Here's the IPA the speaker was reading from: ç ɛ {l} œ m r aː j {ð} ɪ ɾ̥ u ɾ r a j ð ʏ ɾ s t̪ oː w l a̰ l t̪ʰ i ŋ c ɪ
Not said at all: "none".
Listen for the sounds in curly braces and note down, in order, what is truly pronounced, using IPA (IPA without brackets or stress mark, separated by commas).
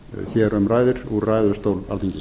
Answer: ɾ, ð